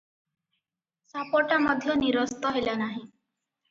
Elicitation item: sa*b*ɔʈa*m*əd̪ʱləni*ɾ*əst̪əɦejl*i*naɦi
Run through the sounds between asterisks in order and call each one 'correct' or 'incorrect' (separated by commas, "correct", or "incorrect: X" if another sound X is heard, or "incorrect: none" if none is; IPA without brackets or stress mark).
incorrect: p, correct, correct, incorrect: a